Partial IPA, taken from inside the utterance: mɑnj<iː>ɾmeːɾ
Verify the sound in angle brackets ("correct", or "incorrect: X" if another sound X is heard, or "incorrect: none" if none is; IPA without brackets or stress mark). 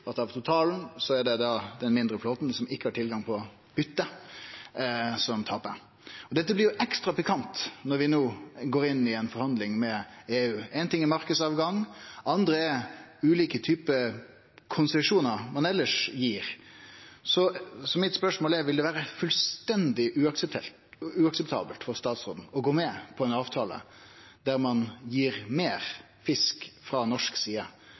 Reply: correct